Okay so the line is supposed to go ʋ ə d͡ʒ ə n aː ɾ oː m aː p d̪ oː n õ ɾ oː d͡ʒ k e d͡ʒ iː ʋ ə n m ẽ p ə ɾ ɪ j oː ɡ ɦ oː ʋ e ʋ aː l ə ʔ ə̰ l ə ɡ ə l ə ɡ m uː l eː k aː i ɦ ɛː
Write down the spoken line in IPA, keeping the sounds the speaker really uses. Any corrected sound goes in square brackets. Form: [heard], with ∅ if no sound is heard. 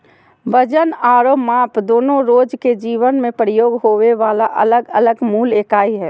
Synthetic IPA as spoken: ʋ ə d͡ʒ ə n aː ɾ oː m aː p d̪ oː n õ ɾ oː d͡ʒ k e d͡ʒ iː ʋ ə n m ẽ p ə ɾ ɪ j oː ɡ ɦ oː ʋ e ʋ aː l [a] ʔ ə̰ l ə ɡ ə l ə ɡ m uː l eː k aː i ɦ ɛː